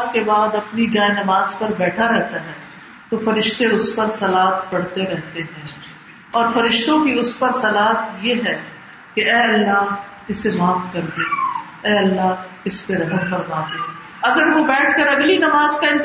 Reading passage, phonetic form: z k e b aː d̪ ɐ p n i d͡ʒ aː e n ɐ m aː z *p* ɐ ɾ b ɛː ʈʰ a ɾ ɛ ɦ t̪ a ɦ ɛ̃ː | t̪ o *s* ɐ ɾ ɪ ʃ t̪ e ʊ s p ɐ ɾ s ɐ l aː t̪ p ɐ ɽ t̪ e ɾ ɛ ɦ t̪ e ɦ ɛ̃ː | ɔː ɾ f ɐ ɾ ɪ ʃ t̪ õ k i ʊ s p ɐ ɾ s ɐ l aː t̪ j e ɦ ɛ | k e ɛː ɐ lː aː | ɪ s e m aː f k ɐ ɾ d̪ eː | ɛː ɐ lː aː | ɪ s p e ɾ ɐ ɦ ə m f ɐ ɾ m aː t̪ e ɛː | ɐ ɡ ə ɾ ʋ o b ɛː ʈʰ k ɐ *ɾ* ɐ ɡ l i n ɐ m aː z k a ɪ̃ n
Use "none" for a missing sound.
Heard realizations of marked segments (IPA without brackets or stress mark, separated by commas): p, f, ɾ